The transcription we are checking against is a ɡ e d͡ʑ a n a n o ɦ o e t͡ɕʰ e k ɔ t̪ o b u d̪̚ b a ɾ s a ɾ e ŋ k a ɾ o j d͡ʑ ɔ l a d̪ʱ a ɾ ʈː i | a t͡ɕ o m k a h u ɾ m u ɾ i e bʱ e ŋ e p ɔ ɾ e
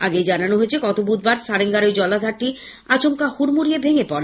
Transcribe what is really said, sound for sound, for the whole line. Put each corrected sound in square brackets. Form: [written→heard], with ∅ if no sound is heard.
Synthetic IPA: a ɡ e d͡ʑ a n a n o ɦ o e t͡ɕʰ e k ɔ t̪ o b u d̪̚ b a ɾ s a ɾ e ŋ [k→ɡ] a ɾ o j d͡ʑ ɔ l a d̪ʱ a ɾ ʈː i | a t͡ɕ o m k a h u ɾ m u ɾ i e bʱ e ŋ e p ɔ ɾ e